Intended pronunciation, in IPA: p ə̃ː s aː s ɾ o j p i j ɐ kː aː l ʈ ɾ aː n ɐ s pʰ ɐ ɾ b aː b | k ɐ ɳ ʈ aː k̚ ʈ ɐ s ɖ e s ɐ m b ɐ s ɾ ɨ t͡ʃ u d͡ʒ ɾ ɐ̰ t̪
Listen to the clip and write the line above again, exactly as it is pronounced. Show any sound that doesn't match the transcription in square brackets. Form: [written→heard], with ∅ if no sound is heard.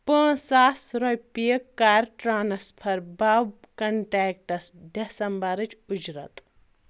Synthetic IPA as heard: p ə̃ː s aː s ɾ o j p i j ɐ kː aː [l→ɾ] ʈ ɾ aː n ɐ s pʰ ɐ ɾ b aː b | k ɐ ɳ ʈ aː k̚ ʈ ɐ s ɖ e s ɐ m b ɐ [s→∅] ɾ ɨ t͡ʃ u d͡ʒ ɾ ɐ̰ t̪